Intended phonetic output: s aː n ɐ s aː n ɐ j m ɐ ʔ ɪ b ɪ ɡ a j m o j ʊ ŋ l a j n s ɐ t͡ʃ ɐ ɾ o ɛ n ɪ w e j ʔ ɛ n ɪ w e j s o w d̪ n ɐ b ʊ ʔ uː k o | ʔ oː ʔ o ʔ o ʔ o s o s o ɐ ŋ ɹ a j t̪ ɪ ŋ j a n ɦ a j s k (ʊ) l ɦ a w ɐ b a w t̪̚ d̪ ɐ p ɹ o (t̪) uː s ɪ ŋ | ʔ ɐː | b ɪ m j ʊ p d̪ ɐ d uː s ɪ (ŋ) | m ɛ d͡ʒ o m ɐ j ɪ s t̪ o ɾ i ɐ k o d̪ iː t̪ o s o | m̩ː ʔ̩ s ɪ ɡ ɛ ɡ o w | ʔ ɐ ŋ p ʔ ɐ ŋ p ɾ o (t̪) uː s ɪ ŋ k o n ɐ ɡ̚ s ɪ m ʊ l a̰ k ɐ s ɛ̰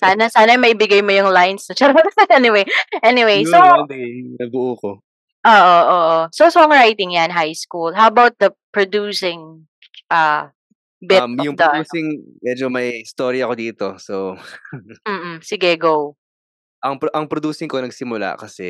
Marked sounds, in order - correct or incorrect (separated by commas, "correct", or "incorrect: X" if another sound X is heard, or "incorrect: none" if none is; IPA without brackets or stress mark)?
incorrect: u, incorrect: d̪, correct, incorrect: d̪